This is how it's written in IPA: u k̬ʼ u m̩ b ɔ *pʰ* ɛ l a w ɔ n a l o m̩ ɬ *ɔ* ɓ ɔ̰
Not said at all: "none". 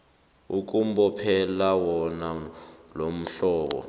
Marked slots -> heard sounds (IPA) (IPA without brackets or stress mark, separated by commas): pʰ, ɔː